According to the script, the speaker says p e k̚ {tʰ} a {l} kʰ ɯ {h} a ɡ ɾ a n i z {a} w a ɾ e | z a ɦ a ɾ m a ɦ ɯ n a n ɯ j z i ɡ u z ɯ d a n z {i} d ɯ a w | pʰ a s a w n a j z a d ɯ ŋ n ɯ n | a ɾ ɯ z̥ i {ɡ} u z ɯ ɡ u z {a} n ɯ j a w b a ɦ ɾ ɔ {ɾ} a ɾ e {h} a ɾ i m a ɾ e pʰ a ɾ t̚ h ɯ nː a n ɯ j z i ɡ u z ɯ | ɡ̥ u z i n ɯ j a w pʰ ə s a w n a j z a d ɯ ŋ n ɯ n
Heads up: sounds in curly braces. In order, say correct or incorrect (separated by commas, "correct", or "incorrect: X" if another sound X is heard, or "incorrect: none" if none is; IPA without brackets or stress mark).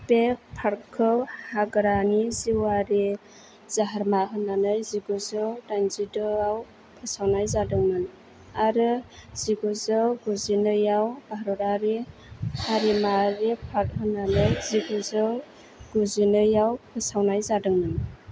incorrect: pʰ, incorrect: ɾ, correct, incorrect: i, correct, correct, incorrect: i, correct, correct